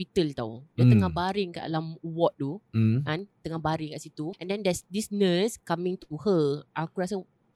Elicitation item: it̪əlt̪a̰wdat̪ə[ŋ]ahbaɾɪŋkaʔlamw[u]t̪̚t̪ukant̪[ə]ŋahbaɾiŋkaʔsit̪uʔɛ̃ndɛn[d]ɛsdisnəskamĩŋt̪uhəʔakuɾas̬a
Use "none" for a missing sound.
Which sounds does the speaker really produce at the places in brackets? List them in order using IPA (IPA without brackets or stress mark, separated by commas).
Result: ŋ, ɔ, ə, d